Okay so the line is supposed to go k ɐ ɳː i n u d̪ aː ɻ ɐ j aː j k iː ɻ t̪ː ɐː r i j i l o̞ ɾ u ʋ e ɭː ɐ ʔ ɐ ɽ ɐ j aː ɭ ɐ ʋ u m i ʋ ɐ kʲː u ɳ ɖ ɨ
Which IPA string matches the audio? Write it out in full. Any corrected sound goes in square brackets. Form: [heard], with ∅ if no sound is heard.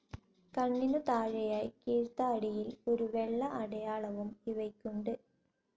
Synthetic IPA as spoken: k ɐ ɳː i n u [t̪] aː ɻ ɐ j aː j k iː ɻ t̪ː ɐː [ɽ] i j i l o̞ ɾ u ʋ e ɭː ɐ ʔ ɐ ɽ ɐ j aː ɭ ɐ ʋ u m i ʋ ɐ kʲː u ɳ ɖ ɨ

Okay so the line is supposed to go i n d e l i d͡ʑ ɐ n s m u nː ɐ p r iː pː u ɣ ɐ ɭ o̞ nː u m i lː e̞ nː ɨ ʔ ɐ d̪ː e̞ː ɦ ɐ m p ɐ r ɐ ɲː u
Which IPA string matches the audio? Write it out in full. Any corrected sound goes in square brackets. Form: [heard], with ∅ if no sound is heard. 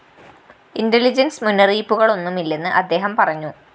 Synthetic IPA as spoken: i n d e l i d͡ʑ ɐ n s m u nː ɐ [∅] r iː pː u ɣ ɐ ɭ o̞ nː u m i lː e̞ nː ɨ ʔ ɐ d̪ː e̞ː ɦ ɐ m p ɐ r ɐ ɲː u

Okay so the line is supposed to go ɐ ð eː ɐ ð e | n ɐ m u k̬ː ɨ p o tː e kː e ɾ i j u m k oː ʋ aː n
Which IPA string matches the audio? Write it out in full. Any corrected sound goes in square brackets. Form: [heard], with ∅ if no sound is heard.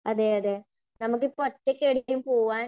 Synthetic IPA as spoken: ɐ ð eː ɐ ð e | n ɐ m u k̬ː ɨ p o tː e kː e [ɽ] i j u m [p] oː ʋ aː n

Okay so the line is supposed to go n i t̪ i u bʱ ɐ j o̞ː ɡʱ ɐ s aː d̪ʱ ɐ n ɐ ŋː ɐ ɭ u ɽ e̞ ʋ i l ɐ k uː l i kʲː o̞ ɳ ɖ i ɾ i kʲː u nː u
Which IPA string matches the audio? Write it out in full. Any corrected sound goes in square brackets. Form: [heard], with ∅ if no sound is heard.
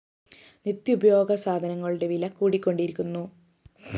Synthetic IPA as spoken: n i t̪ [j] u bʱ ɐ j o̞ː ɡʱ ɐ s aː d̪ʱ ɐ n ɐ ŋː ɐ ɭ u ɽ e̞ ʋ i l ɐ k uː [ɽ] i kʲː o̞ ɳ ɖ i ɾ i kʲː u nː u

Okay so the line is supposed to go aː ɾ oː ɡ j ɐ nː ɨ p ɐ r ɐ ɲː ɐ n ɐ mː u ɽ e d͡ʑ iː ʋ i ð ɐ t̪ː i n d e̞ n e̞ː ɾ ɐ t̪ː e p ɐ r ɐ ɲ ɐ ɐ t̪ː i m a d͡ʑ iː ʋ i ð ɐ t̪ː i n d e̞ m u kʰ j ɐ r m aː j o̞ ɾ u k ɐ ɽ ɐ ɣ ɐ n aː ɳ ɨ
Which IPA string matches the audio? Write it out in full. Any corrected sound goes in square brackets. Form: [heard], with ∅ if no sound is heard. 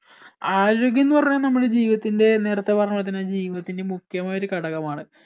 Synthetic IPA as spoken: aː ɾ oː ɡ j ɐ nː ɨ p ɐ r ɐ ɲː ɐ n ɐ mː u ɽ e d͡ʑ iː ʋ i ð ɐ t̪ː i n d e̞ n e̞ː ɾ ɐ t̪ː e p ɐ r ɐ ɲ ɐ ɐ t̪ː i [n] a d͡ʑ iː ʋ i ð ɐ t̪ː i n d e̞ m u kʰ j ɐ [∅] m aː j o̞ ɾ u k ɐ ɽ ɐ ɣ ɐ [m] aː ɳ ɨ

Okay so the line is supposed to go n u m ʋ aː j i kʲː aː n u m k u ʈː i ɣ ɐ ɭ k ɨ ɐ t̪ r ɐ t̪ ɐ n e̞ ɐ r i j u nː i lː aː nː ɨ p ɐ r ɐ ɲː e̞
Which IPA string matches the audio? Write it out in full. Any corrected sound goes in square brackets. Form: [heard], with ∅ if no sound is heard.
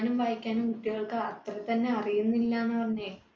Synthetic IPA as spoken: n u m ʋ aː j i kʲː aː n u m k u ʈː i ɣ ɐ ɭ k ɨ ɐ t̪ r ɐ t̪ ɐ [nː] e̞ ɐ r i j u nː i lː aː nː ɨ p ɐ r ɐ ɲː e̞

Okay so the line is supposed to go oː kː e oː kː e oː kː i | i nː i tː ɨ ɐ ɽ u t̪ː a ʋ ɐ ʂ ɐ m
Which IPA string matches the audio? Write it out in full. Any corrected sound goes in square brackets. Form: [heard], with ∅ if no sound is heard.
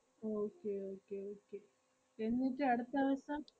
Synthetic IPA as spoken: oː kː e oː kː e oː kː [e] | [e] nː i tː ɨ ɐ ɽ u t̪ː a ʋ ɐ [s] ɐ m

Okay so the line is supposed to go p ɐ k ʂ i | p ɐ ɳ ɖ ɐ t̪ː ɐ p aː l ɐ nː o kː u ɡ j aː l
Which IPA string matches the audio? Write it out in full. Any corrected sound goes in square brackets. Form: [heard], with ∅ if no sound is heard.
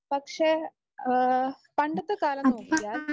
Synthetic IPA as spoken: p ɐ k ʂ [e] | p ɐ ɳ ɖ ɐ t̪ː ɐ [k] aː l ɐ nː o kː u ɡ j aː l

